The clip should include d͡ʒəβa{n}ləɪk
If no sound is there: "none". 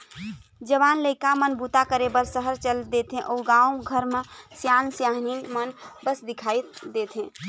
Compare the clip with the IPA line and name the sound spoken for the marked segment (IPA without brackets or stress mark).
n